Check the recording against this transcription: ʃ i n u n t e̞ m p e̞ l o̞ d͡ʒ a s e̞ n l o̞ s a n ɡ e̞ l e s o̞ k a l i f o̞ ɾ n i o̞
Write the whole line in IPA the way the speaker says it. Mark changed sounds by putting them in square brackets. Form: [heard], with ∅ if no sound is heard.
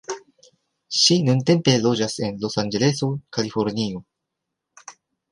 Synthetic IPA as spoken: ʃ i n u n t e̞ m p e̞ l o̞ d͡ʒ a s e̞ n l o̞ s a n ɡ e̞ l e s o̞ k a l i f o̞ ɾ n i o̞